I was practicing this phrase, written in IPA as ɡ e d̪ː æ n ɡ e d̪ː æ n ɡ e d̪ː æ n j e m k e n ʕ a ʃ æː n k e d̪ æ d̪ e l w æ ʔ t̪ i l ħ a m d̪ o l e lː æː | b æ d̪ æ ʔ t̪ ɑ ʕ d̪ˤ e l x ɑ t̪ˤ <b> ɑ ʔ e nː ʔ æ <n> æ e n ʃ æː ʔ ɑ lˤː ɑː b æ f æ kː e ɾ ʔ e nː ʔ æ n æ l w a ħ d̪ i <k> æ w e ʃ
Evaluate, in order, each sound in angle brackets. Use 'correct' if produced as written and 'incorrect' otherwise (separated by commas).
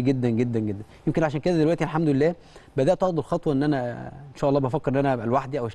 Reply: incorrect, correct, incorrect